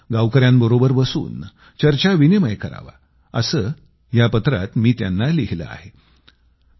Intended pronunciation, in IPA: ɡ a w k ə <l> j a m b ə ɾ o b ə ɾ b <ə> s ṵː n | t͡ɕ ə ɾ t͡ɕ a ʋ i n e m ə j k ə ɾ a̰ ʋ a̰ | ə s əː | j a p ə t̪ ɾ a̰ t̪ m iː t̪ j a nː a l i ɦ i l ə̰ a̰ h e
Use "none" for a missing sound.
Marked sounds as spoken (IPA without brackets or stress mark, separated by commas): ɾ, ə